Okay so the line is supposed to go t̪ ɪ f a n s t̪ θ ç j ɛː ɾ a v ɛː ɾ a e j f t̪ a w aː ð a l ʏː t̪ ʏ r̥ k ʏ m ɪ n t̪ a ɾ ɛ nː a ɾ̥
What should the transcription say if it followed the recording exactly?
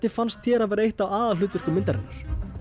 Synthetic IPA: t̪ ɪ f a n s t̪ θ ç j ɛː ɾ a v ɛː ɾ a e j h t̪ a w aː ð a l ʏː t̪ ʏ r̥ k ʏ m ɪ n t̪ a ɾ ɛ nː a ɾ̥